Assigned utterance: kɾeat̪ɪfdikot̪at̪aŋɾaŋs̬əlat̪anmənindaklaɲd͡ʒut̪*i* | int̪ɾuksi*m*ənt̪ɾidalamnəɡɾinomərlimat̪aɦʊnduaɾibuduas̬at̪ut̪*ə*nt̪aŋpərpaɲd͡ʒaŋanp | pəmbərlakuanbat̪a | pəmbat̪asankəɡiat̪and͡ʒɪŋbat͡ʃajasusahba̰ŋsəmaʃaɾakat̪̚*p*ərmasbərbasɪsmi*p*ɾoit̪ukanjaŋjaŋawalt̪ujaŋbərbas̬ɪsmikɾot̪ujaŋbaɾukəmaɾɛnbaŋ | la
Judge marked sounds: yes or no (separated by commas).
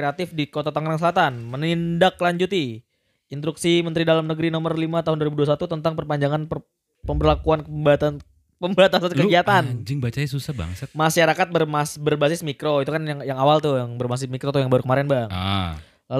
yes, yes, yes, no, no